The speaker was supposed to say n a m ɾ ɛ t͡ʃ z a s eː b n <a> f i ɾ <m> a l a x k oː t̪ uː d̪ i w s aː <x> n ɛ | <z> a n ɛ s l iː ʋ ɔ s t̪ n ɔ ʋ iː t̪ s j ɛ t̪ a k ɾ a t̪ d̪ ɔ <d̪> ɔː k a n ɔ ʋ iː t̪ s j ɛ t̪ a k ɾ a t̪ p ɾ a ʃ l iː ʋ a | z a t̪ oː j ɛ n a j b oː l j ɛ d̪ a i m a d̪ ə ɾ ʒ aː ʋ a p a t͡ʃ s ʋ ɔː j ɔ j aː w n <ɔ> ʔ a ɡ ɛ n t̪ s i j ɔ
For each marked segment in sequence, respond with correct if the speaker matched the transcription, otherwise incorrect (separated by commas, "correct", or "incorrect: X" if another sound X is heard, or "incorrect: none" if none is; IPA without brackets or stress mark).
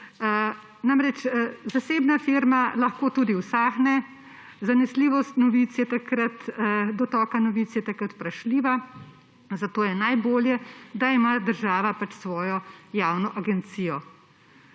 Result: correct, correct, correct, correct, incorrect: t̪, correct